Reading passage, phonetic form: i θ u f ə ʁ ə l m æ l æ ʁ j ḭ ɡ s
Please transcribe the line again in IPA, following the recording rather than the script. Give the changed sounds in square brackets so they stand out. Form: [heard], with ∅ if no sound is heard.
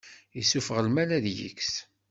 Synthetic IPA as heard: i [s] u f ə ʁ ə l m æ l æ [ð] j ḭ [k] s